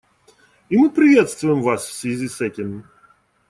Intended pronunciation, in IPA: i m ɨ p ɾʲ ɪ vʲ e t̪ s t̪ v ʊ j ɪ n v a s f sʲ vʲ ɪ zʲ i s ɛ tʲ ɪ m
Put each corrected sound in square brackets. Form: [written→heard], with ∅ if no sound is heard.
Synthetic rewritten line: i m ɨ p ɾʲ ɪ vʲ e t̪ s t̪ v ʊ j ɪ [n→m] v a s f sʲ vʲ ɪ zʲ i s ɛ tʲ ɪ m